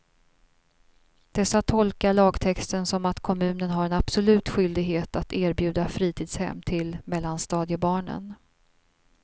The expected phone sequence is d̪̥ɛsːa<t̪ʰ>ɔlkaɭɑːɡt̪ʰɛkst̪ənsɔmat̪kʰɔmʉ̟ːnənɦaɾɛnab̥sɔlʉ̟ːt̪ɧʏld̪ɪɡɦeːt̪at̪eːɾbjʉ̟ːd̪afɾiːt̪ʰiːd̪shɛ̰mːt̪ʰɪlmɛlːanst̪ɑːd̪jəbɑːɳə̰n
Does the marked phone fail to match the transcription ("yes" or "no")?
no